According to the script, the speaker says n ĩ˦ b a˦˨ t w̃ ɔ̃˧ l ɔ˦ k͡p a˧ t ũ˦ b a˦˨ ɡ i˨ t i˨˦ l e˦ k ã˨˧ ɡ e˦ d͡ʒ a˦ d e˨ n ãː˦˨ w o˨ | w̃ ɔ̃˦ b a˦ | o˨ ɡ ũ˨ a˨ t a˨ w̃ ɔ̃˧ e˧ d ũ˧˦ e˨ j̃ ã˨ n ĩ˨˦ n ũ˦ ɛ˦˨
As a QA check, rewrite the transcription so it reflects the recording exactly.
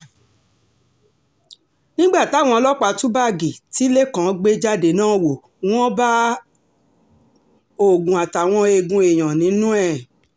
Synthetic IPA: n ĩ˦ ɡ͡b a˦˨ t w̃ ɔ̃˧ l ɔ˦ k͡p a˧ t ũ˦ b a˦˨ ɡ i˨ t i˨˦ l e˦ k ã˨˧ ɡ͡b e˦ d͡ʒ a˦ d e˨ n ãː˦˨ w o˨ | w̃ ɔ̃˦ b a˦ | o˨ ɡ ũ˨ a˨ t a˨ w̃ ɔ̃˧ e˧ ɡ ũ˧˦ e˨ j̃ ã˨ n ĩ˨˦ n ũ˦ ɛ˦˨

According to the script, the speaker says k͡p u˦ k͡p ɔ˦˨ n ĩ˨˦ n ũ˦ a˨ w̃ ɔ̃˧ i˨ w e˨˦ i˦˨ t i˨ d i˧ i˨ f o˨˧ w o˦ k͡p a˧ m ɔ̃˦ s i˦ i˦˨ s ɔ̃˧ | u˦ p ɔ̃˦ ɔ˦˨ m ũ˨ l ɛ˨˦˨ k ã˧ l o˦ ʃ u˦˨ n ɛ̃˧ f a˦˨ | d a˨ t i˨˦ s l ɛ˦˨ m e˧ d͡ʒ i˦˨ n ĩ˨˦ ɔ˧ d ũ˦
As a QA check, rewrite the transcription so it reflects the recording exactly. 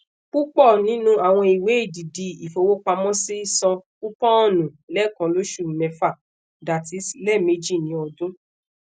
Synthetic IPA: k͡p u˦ k͡p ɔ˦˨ n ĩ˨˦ n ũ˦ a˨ w̃ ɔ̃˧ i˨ w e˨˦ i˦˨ d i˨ d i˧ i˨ f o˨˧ w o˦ k͡p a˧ m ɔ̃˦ s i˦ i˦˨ s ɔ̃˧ | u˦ p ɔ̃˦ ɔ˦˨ n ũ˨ l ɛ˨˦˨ k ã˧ l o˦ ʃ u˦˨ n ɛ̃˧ f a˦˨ | d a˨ t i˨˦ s l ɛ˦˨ m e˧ d͡ʒ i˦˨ n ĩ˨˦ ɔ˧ d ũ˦

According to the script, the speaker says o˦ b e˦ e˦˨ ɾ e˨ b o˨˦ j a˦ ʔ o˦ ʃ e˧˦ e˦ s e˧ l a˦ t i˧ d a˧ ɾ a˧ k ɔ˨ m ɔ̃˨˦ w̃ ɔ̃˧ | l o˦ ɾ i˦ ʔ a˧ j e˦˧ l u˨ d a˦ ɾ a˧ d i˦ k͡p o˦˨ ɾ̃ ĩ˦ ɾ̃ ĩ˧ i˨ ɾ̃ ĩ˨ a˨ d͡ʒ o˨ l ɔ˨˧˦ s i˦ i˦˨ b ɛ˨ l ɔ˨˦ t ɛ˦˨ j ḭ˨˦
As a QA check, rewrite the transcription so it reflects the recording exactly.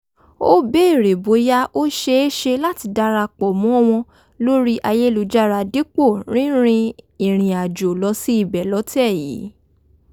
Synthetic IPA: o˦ b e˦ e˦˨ ɾ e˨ b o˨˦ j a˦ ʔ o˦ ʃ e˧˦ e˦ ʃ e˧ l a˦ t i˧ d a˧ ɾ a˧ k͡p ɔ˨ m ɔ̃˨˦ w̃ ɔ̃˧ | l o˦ ɾ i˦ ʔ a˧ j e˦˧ l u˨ d͡ʒ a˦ ɾ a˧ d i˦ k͡p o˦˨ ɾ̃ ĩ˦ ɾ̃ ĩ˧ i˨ ɾ̃ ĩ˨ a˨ d͡ʒ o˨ l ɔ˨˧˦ s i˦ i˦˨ b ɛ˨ l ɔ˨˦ t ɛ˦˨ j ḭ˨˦

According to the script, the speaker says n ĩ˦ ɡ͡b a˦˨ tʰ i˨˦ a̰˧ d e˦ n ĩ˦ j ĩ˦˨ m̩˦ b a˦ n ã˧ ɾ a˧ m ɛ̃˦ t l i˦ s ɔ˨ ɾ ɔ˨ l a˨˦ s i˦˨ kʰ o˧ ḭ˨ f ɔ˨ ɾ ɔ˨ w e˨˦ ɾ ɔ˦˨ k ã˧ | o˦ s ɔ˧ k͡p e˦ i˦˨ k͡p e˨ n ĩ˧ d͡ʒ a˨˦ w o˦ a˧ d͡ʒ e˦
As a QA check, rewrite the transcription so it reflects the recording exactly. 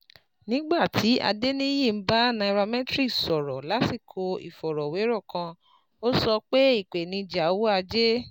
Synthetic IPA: n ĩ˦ ɡ͡b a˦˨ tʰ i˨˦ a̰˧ d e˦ n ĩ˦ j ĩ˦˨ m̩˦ b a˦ n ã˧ ɾ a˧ m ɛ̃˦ t ɾ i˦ s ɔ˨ ɾ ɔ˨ l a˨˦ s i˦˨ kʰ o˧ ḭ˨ f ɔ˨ ɾ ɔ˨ w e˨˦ ɾ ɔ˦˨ k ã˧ | o˦ s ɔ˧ k͡p e˦ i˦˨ k͡p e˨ n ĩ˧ d͡ʒ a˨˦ w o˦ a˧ d͡ʒ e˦

